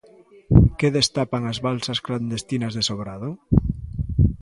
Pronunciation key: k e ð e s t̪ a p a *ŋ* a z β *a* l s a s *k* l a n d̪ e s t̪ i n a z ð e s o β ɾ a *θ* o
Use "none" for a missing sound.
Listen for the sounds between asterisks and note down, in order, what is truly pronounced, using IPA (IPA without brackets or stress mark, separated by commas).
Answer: ŋ, a, k, ð